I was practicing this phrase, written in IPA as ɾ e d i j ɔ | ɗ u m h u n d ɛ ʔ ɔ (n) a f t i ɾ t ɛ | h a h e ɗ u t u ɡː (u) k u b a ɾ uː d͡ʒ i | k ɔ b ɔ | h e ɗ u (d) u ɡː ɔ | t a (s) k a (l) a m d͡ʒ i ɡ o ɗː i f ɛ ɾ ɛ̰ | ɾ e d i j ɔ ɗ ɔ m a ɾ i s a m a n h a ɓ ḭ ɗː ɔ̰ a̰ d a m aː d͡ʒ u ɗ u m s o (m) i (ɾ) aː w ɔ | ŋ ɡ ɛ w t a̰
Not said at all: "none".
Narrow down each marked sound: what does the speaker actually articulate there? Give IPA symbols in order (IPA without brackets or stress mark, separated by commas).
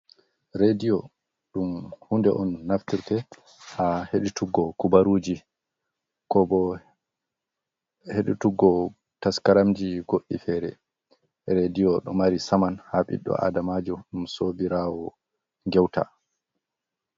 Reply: nː, ɔ, t, s, ɾ, b, ɾ